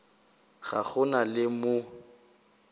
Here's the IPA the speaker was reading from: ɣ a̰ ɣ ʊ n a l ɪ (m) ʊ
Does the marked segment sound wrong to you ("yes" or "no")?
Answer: no